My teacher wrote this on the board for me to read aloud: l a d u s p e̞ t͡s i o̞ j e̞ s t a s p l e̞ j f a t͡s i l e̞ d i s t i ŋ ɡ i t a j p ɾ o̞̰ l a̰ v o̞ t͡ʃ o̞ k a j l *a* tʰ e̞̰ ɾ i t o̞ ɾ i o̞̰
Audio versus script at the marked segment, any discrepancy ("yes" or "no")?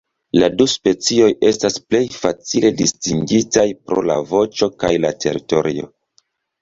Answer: no